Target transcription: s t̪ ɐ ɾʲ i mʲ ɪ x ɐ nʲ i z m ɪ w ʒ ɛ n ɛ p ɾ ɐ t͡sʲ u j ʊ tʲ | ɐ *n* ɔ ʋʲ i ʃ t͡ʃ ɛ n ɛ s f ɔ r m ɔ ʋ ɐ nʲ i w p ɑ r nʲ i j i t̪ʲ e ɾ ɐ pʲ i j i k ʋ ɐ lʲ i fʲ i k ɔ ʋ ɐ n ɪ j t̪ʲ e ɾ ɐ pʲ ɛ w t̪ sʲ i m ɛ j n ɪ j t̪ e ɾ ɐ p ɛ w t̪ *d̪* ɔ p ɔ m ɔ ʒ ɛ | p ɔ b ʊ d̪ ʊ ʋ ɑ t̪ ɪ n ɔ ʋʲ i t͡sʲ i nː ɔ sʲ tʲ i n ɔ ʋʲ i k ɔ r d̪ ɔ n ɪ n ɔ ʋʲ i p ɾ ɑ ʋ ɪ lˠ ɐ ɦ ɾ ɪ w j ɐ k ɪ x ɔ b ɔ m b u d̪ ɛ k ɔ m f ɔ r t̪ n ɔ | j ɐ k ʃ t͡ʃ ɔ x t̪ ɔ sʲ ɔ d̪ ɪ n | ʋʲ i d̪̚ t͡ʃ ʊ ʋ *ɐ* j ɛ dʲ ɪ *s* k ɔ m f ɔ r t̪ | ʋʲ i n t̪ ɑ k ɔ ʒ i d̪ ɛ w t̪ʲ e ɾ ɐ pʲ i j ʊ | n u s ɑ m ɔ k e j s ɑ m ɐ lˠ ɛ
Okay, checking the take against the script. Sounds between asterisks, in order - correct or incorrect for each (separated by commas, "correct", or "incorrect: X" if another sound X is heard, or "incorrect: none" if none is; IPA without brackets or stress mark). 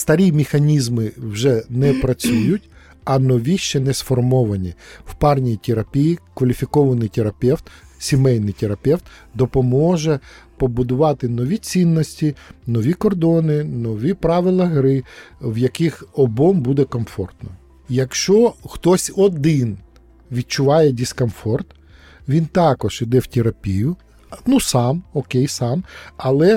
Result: correct, correct, incorrect: ɑ, correct